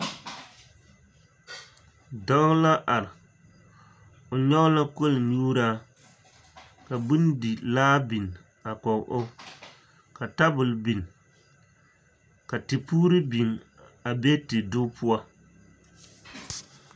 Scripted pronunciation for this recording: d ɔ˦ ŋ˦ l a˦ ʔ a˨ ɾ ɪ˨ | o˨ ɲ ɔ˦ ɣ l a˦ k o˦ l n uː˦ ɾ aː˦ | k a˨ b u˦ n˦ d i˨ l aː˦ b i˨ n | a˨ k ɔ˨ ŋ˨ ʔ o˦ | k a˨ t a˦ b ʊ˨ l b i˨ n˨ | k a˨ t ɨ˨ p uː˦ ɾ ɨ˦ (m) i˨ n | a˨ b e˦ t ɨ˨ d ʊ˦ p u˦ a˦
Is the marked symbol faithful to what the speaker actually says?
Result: no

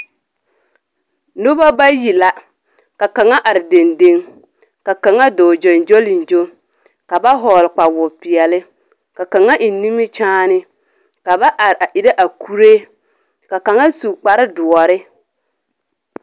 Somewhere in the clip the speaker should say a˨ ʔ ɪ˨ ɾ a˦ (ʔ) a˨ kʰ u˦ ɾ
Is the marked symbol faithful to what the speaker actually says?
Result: yes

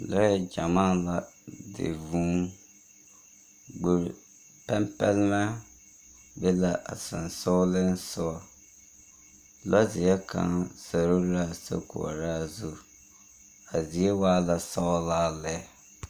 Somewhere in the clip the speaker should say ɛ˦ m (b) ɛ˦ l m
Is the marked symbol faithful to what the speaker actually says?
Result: no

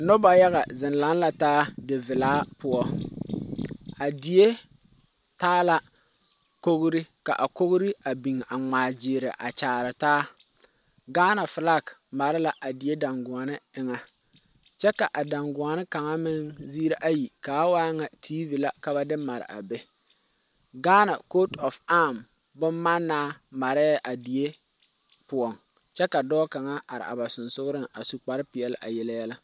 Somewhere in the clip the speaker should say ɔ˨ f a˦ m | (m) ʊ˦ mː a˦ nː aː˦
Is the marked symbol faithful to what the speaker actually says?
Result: no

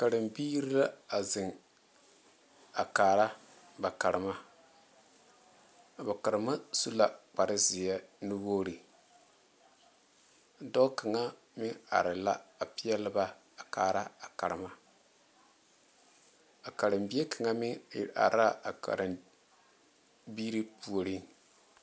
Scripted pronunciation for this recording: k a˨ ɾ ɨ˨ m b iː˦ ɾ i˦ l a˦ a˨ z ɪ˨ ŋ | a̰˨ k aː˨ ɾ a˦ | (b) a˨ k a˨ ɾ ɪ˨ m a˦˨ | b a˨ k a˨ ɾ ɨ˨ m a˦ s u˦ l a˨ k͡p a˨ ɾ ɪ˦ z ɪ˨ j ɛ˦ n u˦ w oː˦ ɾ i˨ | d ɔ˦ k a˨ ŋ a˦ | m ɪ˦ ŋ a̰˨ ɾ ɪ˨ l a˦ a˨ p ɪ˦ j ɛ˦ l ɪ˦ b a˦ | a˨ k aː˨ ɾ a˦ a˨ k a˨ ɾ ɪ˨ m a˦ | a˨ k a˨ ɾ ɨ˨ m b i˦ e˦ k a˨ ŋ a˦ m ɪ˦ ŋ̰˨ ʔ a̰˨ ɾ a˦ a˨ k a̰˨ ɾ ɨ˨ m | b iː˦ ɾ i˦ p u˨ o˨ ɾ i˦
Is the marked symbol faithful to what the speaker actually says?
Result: yes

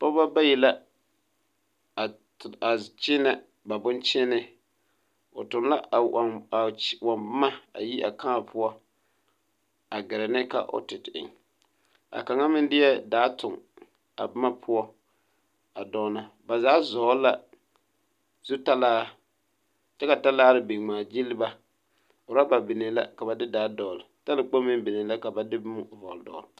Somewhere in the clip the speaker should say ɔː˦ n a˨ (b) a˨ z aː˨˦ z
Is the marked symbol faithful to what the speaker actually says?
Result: yes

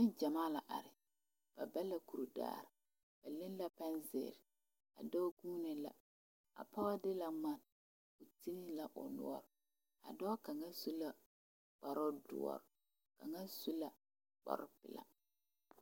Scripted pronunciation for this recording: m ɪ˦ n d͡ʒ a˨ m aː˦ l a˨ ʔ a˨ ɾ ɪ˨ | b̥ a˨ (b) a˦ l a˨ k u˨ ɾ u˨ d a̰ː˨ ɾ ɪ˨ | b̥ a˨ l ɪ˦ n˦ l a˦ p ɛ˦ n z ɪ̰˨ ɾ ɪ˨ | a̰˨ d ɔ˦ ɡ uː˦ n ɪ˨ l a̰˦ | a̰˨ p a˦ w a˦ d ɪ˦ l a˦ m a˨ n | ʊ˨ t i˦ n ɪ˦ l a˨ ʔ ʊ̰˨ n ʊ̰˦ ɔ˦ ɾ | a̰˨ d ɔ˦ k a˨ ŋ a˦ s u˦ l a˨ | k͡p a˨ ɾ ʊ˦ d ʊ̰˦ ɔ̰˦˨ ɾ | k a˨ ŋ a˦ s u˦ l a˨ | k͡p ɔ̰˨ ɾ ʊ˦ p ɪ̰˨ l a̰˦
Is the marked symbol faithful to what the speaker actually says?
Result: yes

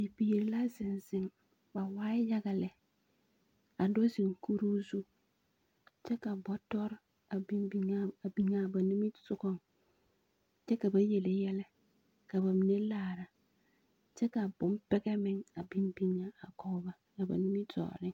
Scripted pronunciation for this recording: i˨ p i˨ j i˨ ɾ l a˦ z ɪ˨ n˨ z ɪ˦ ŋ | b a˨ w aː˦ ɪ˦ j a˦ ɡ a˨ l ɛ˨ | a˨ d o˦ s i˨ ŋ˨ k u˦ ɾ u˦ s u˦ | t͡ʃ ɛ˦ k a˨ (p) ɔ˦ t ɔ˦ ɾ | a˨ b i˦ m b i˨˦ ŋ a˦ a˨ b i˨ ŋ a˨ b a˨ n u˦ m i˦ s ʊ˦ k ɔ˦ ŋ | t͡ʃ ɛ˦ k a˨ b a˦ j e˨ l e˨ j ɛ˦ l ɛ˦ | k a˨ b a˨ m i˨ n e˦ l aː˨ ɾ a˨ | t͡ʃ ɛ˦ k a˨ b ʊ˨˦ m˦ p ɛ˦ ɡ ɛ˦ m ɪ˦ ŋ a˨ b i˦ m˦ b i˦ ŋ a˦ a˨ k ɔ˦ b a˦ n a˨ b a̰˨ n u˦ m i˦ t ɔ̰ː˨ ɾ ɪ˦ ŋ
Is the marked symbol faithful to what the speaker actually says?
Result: no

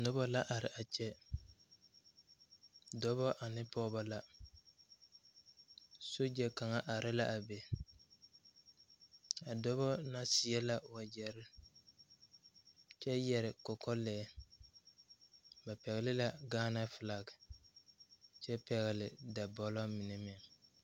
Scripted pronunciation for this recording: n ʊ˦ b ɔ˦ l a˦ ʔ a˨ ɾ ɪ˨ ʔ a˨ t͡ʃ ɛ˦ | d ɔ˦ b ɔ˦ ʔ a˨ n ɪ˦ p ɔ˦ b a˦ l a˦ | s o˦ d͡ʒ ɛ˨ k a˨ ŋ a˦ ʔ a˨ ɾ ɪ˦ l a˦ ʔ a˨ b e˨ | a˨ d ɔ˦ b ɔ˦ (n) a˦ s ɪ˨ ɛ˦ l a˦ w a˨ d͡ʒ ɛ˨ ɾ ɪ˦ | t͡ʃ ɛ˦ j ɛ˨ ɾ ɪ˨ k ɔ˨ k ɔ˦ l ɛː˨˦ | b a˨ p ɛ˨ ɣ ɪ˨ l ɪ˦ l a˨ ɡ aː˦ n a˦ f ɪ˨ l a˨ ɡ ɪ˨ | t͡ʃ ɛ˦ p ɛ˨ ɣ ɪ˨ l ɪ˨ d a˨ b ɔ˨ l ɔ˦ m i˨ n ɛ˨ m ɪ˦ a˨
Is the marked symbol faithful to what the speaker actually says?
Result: yes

